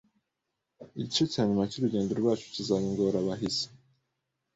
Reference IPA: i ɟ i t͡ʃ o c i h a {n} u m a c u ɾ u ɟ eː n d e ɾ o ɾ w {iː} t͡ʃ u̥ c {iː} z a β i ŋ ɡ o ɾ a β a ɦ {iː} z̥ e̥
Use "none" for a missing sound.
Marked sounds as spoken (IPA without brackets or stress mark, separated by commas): ɲ, aː, i, i